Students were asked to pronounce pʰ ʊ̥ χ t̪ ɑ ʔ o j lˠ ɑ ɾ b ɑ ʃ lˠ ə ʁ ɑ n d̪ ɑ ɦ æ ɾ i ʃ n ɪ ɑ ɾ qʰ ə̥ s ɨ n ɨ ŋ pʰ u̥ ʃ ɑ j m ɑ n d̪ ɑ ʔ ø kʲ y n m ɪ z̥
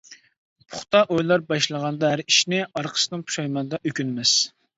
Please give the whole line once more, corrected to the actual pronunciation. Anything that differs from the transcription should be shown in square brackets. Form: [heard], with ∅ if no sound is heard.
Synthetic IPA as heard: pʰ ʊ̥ χ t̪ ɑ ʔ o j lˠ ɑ ɾ b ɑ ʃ lˠ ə ʁ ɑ n d̪ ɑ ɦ æ ɾ i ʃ n ɪ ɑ ɾ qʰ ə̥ s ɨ n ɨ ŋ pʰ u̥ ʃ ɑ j m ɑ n d̪ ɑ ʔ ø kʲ y n m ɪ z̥